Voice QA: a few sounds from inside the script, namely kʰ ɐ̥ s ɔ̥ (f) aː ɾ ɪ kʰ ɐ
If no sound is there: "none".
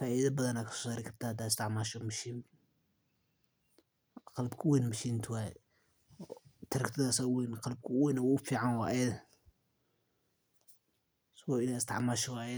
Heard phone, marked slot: s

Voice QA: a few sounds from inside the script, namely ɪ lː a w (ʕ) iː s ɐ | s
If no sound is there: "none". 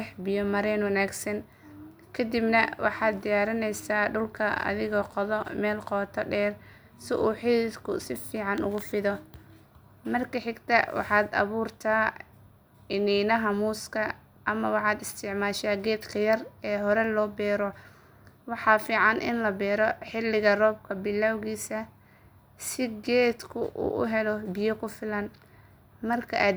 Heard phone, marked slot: ɣ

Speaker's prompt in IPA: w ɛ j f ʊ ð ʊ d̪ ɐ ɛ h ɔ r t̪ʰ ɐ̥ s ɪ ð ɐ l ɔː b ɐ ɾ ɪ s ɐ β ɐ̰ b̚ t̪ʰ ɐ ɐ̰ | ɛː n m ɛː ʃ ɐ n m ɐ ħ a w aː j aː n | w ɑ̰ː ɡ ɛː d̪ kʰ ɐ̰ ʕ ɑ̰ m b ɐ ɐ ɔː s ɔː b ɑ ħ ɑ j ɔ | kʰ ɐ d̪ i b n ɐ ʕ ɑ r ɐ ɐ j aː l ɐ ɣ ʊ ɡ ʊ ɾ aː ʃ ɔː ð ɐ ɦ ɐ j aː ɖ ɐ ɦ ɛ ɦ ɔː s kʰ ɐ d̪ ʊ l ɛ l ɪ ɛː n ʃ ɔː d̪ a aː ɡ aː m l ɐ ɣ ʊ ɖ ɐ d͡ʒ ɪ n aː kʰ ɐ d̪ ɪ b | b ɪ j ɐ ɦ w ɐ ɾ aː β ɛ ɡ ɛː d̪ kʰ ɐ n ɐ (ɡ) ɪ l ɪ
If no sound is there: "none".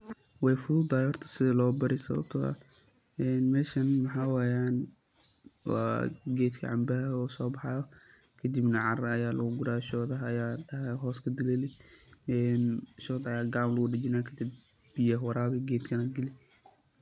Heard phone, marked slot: ɡ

